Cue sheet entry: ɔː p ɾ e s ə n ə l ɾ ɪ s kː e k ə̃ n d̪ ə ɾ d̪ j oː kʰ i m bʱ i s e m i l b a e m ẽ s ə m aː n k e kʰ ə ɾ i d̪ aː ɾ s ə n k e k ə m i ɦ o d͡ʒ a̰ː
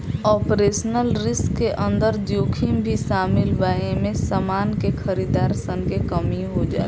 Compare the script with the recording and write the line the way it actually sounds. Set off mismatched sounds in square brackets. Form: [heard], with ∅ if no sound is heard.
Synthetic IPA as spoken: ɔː p ɾ e s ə n ə l ɾ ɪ s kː e [ʔ] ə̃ n d̪ ə ɾ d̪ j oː kʰ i m bʱ i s [a] m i l b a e m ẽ s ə m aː n k e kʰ ə ɾ i d̪ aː ɾ s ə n k e k ə m i ɦ o d͡ʒ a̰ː